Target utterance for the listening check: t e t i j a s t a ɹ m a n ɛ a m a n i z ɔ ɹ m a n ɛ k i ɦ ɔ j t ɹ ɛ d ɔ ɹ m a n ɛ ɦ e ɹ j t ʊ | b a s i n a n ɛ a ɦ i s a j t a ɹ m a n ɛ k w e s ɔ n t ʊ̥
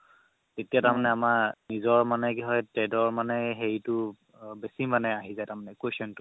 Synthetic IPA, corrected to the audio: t e t i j a t a ɹ m a n ɛ a m a n i z ɔ ɹ m a n ɛ k i ɦ ɔ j t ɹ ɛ d ɔ ɹ m a n ɛ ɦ e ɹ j t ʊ | b e s i m a n ɛ a ɦ i z a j t a ɹ m a n ɛ k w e s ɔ n t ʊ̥